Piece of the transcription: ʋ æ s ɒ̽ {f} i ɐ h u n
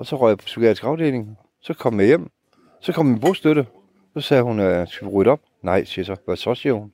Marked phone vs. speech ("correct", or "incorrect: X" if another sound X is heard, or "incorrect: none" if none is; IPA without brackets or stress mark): incorrect: s